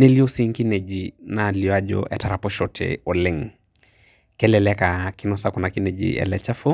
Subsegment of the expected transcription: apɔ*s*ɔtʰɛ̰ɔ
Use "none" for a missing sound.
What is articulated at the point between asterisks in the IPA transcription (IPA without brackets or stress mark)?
ʃ